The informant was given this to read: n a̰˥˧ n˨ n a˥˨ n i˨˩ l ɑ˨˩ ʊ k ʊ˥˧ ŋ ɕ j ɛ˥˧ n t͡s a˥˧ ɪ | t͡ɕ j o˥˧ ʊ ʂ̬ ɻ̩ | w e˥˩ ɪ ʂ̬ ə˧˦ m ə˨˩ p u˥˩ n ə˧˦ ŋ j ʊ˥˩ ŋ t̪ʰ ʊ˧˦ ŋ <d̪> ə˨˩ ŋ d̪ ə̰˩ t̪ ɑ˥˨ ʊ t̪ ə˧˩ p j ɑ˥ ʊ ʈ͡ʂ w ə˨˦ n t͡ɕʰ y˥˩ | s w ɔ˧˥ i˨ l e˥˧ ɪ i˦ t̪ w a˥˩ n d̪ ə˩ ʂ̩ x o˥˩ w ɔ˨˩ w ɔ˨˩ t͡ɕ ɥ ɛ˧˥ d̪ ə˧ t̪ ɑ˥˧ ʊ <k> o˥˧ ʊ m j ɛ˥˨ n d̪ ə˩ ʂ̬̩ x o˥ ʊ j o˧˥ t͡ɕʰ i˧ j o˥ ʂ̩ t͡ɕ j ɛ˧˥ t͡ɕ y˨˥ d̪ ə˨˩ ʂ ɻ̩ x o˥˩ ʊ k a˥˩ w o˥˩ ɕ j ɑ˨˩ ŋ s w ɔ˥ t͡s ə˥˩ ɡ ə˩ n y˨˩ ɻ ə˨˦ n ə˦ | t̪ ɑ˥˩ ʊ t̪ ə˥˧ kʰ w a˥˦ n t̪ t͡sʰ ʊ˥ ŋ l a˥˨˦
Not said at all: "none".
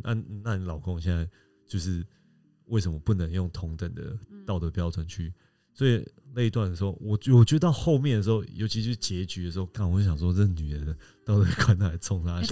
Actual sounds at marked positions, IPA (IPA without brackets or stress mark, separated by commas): t̪, x